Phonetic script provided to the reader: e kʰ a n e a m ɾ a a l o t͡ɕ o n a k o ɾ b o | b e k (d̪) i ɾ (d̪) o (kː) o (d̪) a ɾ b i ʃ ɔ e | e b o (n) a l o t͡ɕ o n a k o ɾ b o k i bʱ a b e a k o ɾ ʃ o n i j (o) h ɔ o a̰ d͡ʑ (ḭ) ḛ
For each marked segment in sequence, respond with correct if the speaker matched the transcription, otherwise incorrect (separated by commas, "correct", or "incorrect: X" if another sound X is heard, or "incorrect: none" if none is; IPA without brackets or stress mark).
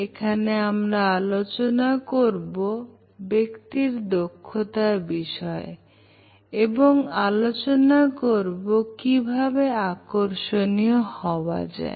incorrect: t̪, correct, incorrect: kʰː, incorrect: t̪, incorrect: ŋ, correct, incorrect: a̰